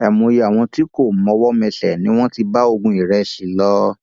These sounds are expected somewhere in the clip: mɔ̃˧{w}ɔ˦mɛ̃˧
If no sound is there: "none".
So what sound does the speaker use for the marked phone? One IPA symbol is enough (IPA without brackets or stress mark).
w